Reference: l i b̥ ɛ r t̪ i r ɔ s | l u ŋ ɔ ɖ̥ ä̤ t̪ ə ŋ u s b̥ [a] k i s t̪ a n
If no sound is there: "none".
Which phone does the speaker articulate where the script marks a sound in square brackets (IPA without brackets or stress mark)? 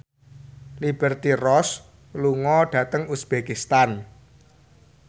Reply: e